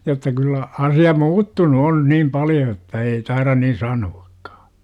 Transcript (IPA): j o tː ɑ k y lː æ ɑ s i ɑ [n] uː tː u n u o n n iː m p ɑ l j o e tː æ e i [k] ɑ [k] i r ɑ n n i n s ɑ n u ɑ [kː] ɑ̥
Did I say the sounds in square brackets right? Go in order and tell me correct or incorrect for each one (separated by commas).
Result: incorrect, incorrect, incorrect, correct